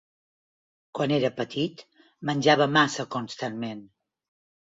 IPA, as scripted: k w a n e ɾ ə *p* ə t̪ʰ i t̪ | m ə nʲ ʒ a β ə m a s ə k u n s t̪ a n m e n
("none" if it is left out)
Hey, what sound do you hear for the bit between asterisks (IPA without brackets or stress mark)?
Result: p